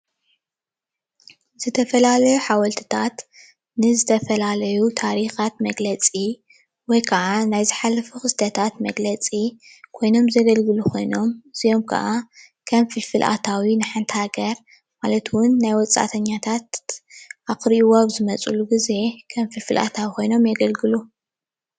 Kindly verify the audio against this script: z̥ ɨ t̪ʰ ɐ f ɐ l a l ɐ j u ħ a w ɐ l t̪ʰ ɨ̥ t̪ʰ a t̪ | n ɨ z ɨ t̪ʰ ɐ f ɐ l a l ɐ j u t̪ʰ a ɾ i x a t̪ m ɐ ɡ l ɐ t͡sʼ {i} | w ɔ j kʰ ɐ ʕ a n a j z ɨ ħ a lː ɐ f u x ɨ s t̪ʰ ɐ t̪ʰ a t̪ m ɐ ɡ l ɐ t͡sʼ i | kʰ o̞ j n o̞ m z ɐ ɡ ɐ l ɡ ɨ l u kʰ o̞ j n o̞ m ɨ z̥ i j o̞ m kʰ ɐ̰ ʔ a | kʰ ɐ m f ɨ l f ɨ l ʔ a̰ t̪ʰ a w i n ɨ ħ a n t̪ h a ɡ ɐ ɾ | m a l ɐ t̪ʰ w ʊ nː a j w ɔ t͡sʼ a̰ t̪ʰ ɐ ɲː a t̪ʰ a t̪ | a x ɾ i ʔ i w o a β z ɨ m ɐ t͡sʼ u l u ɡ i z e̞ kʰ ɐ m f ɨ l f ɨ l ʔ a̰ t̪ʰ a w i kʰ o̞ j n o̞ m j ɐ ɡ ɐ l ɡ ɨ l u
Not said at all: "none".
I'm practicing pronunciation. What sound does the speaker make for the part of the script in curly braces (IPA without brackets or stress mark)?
i